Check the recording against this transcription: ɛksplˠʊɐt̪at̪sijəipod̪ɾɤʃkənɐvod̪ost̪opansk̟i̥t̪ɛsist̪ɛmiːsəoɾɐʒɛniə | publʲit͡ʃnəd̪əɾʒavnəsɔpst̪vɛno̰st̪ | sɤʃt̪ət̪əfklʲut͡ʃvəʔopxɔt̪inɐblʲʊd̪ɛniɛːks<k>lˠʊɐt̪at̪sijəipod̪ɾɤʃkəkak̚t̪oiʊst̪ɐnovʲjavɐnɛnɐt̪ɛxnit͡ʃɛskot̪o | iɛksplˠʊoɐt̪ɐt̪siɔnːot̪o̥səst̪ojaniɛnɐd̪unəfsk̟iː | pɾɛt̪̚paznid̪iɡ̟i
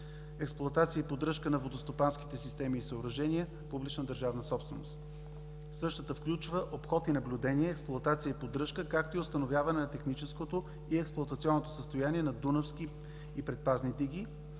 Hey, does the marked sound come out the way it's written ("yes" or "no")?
no